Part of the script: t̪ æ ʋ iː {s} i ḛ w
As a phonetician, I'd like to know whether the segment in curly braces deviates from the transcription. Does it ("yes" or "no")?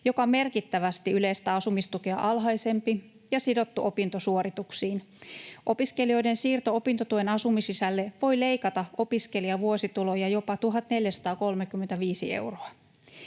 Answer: no